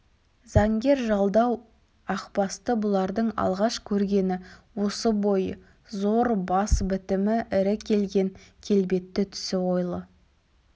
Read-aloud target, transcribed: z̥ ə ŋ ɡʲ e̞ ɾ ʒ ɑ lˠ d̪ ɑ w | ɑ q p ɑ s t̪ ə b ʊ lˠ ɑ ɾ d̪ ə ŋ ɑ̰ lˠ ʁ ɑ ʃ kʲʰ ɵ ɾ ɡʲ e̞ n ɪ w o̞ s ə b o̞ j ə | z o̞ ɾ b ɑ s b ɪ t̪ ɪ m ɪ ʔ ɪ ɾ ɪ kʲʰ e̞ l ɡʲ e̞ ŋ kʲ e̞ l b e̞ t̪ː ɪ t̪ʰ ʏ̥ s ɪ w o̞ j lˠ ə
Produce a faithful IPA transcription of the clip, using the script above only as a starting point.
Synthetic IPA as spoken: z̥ ɑ ŋ ɡʲ e̞ ɾ ʒ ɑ lˠ d̪ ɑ w | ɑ q p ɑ s t̪ ə b ʊ lˠ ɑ ɾ d̪ ə ɴ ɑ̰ lˠ ʁ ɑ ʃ kʲʰ ɵ ɾ ɡʲ e̞ n ɪ w o̞ s ə b o̞ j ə | z o̞ ɾ b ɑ s b ɪ t̪ ɪ m ɪ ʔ ɪ ɾ ɪ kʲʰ e̞ l ɡʲ e̞ ŋ kʲʰ e̞ l b e̞ t̪ː ɪ t̪ʰ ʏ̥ s ɪ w o̞ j lˠ ə